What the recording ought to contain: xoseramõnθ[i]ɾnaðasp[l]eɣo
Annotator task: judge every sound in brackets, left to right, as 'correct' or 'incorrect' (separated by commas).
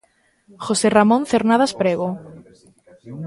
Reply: incorrect, incorrect